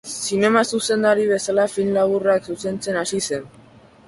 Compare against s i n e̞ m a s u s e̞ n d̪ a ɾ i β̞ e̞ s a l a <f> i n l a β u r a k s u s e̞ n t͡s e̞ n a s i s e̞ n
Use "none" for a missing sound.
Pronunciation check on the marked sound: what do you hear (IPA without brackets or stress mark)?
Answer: f